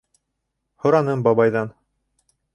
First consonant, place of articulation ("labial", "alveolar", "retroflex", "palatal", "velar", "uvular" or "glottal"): glottal